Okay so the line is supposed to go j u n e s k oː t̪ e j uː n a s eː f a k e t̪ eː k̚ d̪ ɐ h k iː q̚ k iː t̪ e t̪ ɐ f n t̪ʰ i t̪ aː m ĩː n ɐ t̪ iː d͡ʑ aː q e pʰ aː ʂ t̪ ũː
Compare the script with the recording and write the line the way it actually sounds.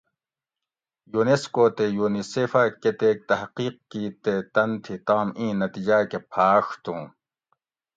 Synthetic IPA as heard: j u n e s k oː t̪ e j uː n i s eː f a k e t̪ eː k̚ t̪ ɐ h q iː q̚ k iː t̪ e t̪ ɐ n t̪ʰ i t̪ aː m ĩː n ɐ t̪ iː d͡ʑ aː k e pʰ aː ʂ t̪ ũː